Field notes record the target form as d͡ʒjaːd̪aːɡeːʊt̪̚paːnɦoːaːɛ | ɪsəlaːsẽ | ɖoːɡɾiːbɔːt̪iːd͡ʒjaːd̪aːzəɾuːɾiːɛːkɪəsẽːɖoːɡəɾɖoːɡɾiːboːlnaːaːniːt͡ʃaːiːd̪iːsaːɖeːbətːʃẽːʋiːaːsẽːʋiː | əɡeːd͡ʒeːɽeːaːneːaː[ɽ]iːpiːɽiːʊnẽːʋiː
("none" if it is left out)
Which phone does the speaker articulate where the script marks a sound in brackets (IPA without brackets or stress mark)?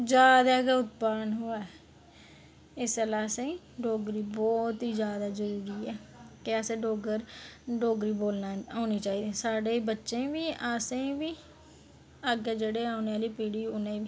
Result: l